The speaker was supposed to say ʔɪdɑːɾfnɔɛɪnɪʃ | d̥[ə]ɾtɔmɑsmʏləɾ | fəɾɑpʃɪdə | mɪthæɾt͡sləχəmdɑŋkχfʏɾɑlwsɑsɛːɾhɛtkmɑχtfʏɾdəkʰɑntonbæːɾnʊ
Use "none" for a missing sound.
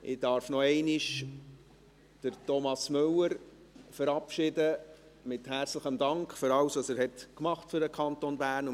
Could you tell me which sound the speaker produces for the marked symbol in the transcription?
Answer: ə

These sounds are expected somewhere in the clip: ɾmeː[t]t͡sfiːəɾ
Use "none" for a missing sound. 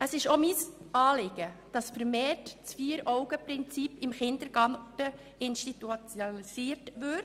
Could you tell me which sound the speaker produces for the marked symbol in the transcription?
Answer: t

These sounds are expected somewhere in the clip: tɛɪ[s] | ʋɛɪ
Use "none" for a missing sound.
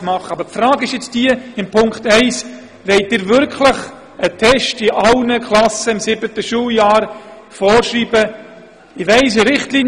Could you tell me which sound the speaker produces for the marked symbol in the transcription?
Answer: s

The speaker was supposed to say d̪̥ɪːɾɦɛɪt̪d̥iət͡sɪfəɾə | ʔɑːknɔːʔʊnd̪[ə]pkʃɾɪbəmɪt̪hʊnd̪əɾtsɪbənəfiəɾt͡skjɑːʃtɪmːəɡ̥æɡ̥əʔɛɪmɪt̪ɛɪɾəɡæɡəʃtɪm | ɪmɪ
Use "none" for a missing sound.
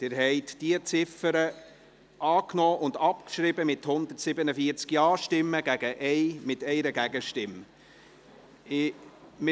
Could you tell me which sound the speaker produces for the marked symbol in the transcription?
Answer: ɑ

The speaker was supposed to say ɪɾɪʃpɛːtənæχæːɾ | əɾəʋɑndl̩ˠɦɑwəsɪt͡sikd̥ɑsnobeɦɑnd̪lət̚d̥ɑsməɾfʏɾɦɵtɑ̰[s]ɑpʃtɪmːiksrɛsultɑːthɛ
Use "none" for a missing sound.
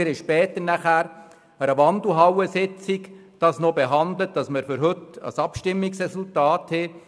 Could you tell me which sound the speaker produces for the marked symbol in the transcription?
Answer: s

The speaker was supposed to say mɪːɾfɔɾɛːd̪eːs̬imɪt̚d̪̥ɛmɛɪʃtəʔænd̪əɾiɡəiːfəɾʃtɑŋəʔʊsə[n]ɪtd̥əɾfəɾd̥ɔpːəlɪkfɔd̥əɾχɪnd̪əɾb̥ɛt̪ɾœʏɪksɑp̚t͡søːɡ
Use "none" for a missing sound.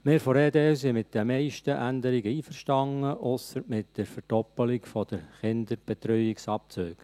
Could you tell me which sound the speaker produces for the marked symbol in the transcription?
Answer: m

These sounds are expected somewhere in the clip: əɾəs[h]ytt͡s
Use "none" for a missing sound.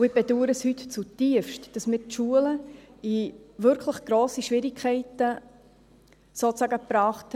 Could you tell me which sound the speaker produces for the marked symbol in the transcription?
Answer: h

